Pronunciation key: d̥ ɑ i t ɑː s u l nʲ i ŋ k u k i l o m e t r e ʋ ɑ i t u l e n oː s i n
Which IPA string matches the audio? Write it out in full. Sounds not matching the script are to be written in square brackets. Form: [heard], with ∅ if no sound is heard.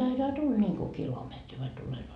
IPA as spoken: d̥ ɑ i t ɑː [t] u l nʲ i ŋ k u k i l o m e t r [i] ʋ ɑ i t u l e n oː s i n

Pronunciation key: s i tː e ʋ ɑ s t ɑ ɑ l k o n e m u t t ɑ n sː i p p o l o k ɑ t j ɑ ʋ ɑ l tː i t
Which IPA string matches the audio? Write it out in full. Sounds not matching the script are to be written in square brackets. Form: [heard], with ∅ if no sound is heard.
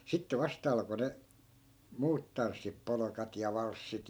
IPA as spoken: s i tː e ʋ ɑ s t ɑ ɑ l k o n e m [uː] t t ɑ n sː i p p o l o k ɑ t j ɑ ʋ ɑ l [sː] i t

